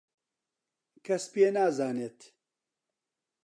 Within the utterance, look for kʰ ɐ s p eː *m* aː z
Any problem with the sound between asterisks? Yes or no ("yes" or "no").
yes